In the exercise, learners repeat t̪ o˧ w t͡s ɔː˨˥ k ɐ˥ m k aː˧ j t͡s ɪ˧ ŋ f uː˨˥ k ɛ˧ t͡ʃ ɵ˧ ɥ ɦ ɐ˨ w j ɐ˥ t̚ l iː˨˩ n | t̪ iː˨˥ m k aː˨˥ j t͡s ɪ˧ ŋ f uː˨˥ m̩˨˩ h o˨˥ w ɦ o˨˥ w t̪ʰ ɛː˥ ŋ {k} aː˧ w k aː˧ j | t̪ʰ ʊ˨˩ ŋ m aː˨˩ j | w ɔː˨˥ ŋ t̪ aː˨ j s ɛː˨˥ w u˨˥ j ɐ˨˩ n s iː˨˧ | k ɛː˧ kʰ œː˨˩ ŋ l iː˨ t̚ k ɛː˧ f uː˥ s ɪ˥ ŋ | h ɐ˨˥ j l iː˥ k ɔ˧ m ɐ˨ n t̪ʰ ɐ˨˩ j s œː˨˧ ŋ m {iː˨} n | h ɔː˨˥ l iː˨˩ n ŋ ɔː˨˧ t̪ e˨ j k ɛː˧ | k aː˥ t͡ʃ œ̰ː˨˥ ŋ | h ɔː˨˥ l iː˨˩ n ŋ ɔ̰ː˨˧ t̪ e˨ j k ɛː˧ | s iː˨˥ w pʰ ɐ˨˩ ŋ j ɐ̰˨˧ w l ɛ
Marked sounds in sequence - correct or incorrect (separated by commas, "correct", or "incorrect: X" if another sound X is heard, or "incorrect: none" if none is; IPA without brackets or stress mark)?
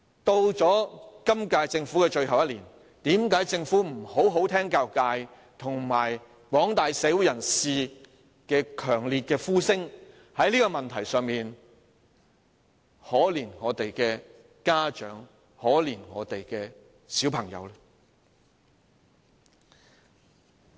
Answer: correct, correct